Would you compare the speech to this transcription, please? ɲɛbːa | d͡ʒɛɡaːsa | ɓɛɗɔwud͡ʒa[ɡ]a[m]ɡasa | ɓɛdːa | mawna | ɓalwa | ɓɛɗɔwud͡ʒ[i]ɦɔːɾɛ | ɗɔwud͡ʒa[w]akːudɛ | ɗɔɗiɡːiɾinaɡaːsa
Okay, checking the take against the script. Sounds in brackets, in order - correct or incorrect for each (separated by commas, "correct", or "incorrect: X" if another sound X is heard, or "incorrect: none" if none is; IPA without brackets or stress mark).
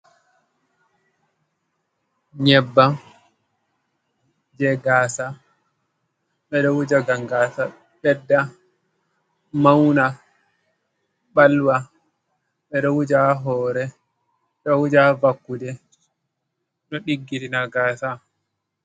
correct, incorrect: ŋ, incorrect: a, incorrect: v